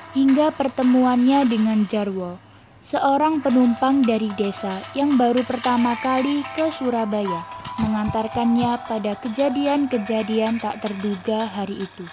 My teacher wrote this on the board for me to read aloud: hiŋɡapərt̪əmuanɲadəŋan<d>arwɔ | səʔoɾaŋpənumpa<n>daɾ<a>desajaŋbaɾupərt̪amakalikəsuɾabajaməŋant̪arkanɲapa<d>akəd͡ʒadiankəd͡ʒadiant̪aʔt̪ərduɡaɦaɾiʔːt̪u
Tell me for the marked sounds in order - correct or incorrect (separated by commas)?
incorrect, incorrect, incorrect, correct